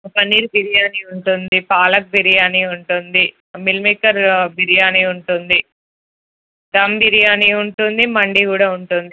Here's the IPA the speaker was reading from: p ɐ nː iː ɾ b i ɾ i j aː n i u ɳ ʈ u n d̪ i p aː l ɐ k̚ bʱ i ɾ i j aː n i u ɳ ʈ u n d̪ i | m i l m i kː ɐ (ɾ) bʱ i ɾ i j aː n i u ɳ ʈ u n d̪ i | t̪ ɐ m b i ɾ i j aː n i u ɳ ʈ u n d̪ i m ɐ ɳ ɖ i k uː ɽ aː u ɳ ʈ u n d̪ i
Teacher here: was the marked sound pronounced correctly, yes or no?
yes